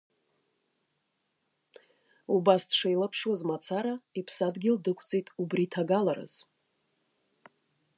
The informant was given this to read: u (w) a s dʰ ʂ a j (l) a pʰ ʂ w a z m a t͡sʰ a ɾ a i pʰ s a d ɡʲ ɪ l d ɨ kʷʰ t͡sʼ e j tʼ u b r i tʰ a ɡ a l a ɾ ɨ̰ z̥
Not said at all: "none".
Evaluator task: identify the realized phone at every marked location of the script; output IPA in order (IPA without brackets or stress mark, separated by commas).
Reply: b, l